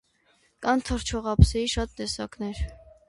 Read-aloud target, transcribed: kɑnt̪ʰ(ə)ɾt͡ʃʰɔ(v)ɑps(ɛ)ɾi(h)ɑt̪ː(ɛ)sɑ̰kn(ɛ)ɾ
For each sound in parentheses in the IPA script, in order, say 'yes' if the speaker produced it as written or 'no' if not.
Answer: yes, no, yes, no, yes, yes

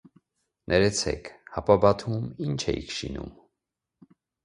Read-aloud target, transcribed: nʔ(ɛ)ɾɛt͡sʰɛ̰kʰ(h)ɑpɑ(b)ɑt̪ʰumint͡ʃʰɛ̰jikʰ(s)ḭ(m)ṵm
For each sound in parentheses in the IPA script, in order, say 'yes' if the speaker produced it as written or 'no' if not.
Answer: yes, yes, yes, no, no

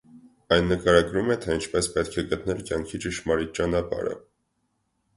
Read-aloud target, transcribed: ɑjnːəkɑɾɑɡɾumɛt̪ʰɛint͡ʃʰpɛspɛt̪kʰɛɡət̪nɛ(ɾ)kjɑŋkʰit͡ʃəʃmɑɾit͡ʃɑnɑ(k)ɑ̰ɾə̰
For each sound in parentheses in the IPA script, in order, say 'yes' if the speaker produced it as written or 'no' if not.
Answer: no, no

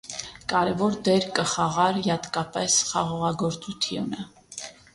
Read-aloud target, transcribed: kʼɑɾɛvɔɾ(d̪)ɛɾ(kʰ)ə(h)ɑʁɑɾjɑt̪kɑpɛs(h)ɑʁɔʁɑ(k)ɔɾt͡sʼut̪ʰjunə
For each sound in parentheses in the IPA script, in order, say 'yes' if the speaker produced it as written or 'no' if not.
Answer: yes, no, no, no, no

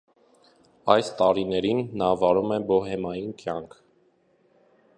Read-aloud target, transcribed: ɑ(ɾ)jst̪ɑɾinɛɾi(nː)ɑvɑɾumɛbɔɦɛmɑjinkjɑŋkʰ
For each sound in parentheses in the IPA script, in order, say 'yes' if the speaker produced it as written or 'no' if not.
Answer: no, yes

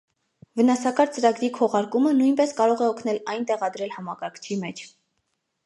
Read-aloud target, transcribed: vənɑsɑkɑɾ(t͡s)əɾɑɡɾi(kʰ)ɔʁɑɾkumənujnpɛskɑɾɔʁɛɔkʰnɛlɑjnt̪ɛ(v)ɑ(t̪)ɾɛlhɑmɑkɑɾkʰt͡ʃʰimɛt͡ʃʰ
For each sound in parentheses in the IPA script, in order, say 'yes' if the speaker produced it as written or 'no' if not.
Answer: yes, yes, no, no

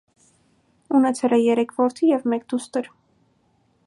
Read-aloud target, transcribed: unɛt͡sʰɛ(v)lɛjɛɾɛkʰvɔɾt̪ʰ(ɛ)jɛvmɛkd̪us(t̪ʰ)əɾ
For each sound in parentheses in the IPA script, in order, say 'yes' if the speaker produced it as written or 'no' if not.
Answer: no, no, no

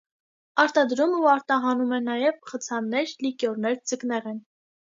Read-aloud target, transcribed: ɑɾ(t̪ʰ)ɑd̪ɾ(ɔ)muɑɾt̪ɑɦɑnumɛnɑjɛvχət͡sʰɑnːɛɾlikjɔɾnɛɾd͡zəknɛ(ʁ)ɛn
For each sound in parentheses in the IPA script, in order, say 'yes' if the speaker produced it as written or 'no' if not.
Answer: no, no, yes

